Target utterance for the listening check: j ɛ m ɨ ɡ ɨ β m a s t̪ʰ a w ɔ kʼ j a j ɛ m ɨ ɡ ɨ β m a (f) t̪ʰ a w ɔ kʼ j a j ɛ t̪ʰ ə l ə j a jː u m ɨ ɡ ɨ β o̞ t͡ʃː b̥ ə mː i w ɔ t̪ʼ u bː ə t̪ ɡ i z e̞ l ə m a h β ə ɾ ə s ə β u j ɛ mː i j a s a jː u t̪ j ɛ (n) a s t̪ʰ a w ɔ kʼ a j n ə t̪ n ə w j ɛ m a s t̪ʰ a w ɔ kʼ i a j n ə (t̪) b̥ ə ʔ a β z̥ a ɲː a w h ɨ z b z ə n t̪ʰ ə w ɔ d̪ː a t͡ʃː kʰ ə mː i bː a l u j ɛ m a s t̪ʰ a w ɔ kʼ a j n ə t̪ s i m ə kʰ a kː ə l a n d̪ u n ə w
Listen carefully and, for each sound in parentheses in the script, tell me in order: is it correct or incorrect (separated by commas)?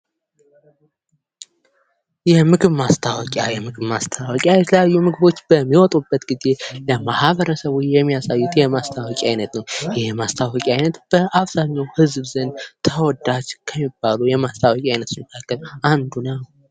incorrect, incorrect, correct